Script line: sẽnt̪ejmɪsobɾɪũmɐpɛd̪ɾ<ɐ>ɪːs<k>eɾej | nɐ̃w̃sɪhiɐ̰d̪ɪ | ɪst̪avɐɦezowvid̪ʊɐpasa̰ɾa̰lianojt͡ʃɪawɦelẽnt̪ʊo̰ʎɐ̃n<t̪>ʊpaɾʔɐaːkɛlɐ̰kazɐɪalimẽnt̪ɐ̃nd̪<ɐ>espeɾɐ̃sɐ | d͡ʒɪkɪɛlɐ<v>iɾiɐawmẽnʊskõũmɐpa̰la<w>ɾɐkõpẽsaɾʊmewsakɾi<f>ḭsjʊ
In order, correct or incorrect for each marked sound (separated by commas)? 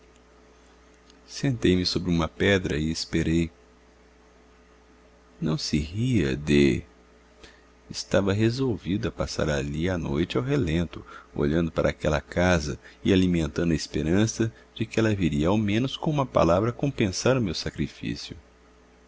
correct, incorrect, incorrect, correct, correct, incorrect, correct